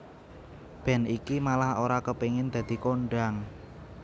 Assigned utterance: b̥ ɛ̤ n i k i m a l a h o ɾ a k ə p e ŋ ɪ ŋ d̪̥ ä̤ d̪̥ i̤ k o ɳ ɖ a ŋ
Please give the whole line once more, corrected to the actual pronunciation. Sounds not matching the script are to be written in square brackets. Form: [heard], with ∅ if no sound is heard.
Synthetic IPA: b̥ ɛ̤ n i k i m a l a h o ɾ a k ə p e ŋ ɪ [n] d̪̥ ä̤ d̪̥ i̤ k o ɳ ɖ a ŋ